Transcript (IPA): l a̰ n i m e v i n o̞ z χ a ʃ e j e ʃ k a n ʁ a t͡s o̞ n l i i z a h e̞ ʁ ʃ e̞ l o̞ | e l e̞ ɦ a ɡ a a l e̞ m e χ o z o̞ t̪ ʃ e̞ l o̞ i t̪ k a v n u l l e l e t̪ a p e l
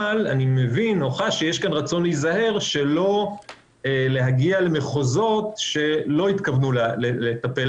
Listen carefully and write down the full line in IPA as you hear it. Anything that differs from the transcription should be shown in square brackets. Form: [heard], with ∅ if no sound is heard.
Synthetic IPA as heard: l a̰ n i m e v i n o̞ [∅] χ a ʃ e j e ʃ k a n ʁ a t͡s o̞ n l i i z a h e̞ ʁ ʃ e̞ l o̞ | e l e̞ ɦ a ɡ [i] a l e̞ m e χ o z o̞ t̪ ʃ e̞ l o̞ i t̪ k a v n u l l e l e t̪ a p e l